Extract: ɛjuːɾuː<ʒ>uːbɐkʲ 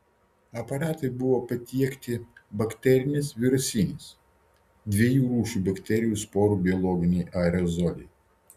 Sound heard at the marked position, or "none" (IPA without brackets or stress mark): ʃ